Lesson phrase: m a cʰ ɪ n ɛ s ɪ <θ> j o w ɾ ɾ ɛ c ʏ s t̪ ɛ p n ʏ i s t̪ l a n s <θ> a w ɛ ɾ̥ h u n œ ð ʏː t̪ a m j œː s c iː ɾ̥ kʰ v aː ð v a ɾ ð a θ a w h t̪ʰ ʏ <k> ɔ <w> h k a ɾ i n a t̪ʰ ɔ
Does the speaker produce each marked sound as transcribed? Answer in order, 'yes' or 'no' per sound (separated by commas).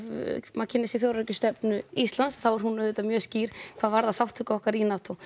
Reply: yes, yes, yes, no